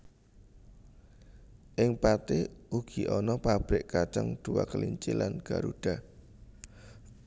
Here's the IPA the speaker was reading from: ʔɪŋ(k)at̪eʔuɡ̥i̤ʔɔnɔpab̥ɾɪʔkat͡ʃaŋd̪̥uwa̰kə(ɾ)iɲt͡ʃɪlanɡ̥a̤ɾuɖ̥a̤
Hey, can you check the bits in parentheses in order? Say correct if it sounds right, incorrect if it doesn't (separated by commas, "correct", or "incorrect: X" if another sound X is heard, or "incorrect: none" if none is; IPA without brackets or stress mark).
incorrect: p, incorrect: l